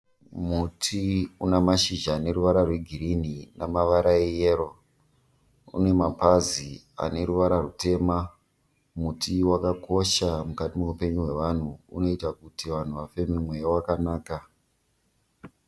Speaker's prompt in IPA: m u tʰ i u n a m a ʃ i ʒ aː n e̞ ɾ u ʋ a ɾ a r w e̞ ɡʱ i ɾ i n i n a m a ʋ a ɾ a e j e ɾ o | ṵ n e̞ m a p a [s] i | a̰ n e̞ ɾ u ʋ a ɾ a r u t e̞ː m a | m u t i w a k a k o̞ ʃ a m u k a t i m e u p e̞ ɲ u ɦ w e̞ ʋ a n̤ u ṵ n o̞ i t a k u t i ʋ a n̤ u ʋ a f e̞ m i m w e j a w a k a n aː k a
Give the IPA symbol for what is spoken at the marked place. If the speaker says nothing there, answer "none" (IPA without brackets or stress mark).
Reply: z